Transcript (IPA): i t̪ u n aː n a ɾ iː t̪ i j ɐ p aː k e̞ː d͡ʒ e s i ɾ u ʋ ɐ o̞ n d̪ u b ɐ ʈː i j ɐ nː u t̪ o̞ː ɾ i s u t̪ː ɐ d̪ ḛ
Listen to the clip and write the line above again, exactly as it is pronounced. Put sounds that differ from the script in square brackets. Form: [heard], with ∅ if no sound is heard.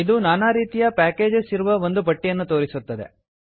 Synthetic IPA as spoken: i [d̪] u n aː n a ɾ iː t̪ i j ɐ p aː k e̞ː d͡ʒ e s i ɾ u ʋ ɐ o̞ n d̪ u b ɐ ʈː i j ɐ nː u t̪ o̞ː ɾ i s u t̪ː ɐ d̪ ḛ